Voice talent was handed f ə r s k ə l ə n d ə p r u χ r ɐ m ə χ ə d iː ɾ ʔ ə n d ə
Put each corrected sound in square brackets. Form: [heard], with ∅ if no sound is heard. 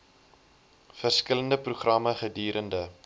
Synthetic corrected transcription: f ə r s k ə l ə n d ə p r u χ r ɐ m ə χ ə d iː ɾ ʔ ə n d ə